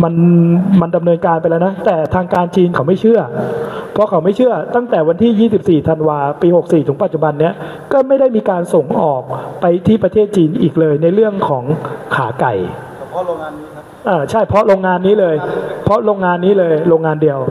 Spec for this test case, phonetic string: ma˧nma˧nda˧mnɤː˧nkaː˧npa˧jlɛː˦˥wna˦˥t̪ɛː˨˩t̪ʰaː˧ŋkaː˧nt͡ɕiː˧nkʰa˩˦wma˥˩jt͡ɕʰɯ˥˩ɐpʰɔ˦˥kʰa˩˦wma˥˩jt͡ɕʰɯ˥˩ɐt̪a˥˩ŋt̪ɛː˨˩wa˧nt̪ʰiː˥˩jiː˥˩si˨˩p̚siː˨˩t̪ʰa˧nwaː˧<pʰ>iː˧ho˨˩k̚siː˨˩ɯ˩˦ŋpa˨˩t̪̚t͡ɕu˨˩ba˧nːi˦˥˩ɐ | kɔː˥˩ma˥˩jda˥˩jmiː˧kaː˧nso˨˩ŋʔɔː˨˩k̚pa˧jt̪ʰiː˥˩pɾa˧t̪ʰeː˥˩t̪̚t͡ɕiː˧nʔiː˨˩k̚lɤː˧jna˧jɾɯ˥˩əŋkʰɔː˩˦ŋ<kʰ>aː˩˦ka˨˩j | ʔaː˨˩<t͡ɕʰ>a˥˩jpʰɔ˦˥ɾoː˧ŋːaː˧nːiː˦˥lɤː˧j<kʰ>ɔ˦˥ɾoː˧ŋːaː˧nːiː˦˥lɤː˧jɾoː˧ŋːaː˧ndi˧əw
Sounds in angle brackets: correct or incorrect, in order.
incorrect: p, correct, correct, incorrect: pʰ

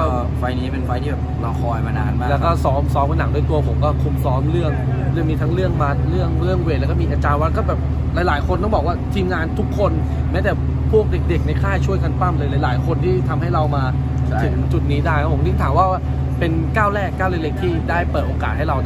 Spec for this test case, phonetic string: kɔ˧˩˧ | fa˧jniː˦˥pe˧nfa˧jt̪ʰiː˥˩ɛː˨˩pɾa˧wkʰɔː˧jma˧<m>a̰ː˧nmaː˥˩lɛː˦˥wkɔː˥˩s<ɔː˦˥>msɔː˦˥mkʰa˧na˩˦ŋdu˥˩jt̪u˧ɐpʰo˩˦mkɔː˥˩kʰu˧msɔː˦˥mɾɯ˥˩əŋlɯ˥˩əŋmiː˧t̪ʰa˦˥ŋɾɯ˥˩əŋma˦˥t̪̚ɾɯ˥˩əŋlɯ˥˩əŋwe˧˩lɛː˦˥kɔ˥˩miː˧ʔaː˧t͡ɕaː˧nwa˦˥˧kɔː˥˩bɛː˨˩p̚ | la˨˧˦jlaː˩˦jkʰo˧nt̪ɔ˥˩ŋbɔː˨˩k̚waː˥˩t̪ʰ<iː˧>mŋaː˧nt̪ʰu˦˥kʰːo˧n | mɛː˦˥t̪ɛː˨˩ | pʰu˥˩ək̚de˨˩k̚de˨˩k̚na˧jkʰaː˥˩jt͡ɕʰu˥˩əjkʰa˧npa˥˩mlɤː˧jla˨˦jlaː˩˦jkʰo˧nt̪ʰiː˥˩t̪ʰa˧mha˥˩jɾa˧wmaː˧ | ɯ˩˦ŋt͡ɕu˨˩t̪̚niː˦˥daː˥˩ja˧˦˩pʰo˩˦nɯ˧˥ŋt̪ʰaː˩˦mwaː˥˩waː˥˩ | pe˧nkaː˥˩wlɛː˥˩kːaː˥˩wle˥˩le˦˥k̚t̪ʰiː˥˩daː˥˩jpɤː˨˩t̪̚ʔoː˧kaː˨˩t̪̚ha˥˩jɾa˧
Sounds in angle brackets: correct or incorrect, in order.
incorrect: n, correct, correct

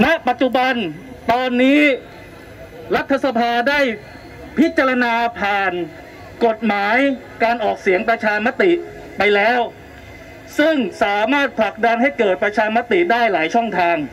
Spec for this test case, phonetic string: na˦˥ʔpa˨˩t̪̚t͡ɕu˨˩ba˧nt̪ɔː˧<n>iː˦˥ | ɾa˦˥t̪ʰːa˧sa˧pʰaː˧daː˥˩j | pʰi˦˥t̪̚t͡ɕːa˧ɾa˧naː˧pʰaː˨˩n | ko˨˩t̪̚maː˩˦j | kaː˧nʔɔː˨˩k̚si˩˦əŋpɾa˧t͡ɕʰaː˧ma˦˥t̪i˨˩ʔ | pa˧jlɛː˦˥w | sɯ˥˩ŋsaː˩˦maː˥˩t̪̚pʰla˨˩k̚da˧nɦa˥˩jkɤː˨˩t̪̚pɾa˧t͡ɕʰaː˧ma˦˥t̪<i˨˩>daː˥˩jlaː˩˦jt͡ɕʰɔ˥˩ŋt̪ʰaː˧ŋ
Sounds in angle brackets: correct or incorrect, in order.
incorrect: nː, correct

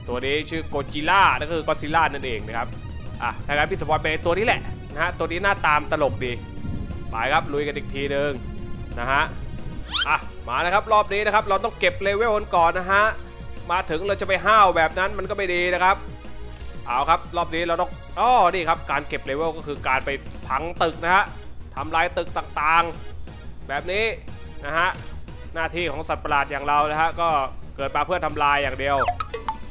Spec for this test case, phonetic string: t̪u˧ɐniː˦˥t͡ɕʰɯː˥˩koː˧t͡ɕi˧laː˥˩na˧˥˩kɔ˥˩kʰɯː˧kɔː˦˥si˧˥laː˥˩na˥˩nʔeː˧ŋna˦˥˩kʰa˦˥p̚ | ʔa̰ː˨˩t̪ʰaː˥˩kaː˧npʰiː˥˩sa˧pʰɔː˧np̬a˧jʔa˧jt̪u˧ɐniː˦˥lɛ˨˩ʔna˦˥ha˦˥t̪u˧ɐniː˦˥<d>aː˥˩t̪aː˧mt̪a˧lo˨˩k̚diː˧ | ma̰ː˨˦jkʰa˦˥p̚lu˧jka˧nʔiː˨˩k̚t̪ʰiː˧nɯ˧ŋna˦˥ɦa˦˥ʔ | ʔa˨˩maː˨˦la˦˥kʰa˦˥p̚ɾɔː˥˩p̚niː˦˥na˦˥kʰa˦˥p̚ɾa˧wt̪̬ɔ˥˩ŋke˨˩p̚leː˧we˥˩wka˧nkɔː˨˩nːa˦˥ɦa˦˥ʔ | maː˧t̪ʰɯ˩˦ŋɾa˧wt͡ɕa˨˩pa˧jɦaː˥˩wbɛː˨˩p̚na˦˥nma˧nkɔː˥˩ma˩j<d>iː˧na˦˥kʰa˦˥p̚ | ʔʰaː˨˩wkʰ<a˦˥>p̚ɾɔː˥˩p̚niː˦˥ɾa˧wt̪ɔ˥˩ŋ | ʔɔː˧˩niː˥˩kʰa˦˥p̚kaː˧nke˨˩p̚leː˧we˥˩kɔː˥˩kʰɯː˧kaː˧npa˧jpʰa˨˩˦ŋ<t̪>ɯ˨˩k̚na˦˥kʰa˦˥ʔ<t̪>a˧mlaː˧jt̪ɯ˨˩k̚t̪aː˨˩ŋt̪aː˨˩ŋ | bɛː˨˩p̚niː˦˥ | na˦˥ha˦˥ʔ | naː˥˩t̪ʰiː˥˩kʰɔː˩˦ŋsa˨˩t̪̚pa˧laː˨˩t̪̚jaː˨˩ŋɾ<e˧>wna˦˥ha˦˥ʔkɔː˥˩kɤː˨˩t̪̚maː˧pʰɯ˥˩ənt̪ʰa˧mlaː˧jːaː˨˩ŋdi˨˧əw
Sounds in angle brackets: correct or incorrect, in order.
incorrect: n, correct, correct, correct, incorrect: t̪ʰ, incorrect: a˧

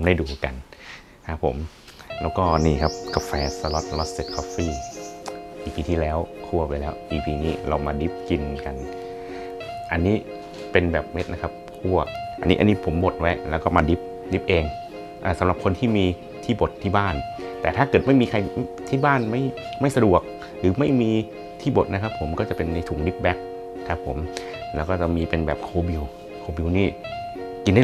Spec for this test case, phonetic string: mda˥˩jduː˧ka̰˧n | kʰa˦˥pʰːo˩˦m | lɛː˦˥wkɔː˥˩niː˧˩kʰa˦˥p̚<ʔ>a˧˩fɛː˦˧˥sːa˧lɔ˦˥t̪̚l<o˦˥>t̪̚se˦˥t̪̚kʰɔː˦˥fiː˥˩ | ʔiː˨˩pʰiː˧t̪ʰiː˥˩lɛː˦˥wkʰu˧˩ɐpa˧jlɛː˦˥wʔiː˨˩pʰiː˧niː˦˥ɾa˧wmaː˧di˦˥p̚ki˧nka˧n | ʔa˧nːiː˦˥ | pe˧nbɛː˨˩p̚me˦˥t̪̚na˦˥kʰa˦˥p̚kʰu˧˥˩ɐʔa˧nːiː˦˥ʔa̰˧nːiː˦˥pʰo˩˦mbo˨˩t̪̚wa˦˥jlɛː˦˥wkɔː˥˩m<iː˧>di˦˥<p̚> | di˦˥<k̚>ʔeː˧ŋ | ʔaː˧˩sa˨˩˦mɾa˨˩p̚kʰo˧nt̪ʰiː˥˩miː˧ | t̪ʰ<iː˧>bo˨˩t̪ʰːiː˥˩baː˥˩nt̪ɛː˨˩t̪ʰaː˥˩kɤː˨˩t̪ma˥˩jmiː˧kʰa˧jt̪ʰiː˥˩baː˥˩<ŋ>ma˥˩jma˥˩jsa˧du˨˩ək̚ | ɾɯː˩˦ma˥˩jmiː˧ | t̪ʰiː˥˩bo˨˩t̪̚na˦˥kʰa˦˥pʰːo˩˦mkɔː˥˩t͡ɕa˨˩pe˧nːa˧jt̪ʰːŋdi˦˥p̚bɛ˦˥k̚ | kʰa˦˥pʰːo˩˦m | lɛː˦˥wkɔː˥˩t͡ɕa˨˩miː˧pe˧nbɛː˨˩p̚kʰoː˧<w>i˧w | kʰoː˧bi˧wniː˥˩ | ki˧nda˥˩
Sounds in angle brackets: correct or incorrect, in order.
incorrect: k, incorrect: ɔ˦˥, incorrect: aː˧, correct, incorrect: p̚, incorrect: iː˥˩, incorrect: n, incorrect: b

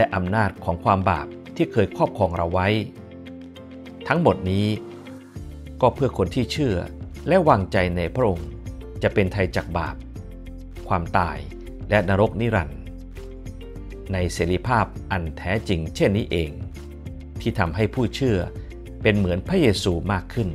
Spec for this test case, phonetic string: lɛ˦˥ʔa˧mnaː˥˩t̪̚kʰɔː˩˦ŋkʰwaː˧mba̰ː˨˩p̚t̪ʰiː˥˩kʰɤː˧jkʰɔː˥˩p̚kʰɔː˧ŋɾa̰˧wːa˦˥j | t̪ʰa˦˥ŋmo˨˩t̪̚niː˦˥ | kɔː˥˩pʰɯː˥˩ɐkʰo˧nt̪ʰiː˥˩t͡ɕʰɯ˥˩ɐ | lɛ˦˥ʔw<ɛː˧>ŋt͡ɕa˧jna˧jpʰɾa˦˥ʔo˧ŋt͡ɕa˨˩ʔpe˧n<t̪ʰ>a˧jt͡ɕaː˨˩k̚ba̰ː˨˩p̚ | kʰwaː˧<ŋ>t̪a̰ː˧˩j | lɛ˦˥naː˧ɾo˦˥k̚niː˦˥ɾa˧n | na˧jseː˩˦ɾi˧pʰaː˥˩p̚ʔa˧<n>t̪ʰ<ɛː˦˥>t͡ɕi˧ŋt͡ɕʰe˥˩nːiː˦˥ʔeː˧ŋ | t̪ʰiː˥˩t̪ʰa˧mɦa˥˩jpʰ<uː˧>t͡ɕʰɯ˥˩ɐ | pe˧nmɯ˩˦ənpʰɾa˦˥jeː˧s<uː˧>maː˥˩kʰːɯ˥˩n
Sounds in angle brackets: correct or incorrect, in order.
incorrect: aː˧, correct, incorrect: m, correct, correct, incorrect: uː˥˩, correct

